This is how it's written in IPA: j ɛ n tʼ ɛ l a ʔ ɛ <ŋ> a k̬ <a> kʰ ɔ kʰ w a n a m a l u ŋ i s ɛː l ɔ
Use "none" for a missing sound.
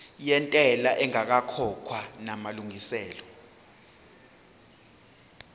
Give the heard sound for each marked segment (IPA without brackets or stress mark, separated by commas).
ŋ, a